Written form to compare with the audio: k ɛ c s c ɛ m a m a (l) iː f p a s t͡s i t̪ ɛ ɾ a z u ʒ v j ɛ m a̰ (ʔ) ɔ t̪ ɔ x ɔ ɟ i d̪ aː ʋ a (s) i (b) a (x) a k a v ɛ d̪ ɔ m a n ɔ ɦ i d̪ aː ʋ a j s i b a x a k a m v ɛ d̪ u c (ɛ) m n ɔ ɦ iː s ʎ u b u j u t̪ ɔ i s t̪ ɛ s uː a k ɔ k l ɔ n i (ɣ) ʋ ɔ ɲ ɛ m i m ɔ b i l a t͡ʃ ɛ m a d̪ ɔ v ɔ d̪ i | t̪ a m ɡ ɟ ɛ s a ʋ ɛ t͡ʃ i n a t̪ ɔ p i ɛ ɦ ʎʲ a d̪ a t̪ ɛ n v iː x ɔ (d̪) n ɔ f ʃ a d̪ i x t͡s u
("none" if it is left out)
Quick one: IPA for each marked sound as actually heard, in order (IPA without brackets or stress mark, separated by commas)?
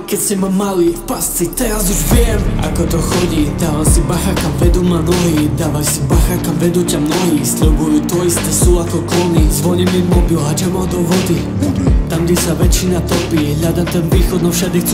l, k, s, b, x, a, z, d̪